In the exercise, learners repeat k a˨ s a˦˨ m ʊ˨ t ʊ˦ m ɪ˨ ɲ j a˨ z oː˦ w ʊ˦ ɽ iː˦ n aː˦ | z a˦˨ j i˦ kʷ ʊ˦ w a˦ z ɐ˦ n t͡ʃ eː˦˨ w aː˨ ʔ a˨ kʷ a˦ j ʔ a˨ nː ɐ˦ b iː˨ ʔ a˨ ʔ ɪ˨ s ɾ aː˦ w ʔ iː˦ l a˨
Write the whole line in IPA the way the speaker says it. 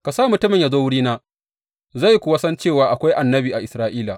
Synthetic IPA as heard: k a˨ s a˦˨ m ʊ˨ t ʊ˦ m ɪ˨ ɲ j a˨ z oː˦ w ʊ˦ ɽ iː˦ n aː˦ | z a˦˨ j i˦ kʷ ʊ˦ w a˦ s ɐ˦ n t͡ʃ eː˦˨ w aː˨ ʔ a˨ kʷ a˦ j ʔ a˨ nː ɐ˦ b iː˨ ʔ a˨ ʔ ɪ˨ s ɾ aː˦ ʔ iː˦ l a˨